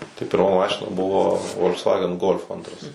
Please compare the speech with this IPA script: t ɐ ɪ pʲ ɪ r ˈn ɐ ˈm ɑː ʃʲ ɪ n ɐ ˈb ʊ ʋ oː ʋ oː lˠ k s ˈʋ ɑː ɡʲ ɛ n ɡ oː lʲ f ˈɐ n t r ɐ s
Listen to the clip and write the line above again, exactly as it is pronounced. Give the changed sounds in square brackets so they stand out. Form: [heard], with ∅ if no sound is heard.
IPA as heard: t ɐ ɪ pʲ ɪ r [ˈm] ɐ ˈm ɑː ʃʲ ɪ n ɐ ˈb ʊ ʋ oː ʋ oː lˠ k s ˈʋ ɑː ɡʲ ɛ n ɡ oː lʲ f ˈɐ n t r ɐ s